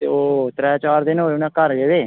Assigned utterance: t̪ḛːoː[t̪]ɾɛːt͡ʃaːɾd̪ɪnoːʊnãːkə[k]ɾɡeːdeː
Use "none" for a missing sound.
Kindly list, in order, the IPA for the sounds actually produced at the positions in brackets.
t̪, none

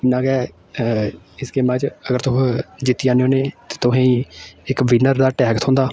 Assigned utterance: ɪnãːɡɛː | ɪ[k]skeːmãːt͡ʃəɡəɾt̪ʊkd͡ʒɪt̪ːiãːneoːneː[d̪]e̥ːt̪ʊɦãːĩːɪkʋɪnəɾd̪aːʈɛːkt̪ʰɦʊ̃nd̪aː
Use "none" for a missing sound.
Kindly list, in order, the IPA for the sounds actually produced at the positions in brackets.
none, t̪

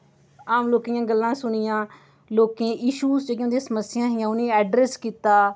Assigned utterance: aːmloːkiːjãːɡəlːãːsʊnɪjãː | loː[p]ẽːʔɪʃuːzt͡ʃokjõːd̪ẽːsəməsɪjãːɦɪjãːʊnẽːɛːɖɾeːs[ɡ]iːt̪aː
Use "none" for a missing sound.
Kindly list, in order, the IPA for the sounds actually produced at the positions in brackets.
k, k

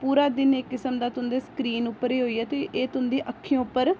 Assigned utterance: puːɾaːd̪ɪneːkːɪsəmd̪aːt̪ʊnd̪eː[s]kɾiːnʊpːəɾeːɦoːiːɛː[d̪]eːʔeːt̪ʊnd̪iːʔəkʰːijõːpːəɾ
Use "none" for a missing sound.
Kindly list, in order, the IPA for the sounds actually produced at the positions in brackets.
s, t̪

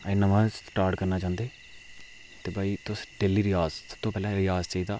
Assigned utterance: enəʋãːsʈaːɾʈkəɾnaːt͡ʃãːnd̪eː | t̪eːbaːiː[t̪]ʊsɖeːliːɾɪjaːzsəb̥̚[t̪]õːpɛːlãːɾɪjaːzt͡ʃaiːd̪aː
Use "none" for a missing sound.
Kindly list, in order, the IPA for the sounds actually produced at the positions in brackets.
t̪, t̪

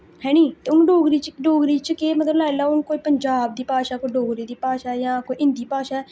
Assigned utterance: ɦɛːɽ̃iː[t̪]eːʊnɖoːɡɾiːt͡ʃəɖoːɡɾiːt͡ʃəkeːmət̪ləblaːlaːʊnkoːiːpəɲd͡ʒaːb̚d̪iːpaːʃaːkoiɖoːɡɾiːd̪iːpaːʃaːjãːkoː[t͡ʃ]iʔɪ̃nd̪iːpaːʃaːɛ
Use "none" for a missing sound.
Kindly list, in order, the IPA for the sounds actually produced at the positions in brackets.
t̪, none

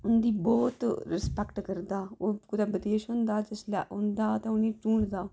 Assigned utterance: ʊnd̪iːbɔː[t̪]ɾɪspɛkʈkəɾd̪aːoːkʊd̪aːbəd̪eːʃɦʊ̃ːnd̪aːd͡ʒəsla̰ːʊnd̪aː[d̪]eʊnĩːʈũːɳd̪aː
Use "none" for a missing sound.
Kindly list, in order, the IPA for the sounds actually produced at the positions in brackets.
t̪, t̪

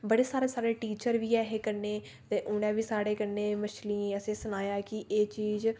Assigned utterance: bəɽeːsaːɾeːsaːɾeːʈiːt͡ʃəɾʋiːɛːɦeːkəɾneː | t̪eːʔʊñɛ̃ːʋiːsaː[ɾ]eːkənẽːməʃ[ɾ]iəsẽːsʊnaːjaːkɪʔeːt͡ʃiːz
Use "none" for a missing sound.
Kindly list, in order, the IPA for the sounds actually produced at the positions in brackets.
ɽ, l

